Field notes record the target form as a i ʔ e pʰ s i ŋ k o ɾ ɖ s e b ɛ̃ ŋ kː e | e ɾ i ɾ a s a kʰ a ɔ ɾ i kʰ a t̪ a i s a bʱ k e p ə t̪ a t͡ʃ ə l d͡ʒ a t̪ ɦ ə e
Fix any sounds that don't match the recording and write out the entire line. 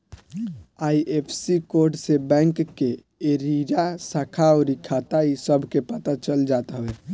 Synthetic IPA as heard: a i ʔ e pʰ s i k o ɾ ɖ s e b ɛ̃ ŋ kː e | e ɾ i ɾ a s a kʰ a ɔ ɾ i kʰ a t̪ a i s ə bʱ k e p ə t̪ a t͡ʃ ə l d͡ʒ a t̪ ɦ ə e